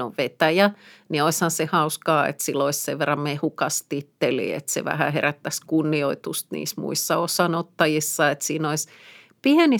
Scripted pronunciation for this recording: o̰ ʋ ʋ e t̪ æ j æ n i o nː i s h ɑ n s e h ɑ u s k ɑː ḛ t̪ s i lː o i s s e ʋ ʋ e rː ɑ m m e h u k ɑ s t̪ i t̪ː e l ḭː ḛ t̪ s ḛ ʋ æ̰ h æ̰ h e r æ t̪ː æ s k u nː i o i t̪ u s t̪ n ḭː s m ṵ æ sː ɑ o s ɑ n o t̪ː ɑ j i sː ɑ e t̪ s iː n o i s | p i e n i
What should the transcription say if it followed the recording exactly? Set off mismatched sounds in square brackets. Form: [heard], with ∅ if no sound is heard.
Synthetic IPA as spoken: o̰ ʋ ʋ e t̪ æ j æ n i o [∅] i s h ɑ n s e h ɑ u s k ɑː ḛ t̪ s i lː o i s s e ʋ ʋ e rː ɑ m m e h u k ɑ s t̪ i t̪ː e l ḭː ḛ t̪ s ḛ ʋ æ̰ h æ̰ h e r æ t̪ː æ s k u nː i o i t̪ u s t̪ n ḭː s m ṵ [i] sː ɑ o s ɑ n o t̪ː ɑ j i sː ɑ e t̪ s iː n o i s | p i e n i